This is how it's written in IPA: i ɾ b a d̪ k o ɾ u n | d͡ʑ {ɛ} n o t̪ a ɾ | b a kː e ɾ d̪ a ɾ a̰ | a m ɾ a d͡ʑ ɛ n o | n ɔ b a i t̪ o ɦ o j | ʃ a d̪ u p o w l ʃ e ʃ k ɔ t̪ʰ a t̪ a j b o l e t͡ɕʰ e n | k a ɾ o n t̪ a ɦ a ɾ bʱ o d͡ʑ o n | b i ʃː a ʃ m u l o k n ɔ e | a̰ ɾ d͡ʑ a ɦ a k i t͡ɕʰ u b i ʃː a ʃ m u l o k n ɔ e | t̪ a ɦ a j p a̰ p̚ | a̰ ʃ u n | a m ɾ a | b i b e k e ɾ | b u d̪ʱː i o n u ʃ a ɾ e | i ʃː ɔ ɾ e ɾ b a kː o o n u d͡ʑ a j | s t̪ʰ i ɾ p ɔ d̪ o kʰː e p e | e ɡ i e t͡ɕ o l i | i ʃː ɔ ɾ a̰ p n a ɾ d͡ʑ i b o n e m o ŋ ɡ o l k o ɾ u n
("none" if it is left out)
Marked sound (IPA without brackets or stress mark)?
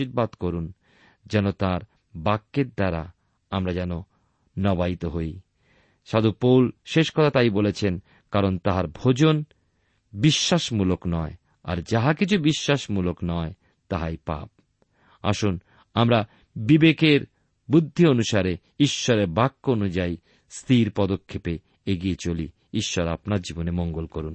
ɛ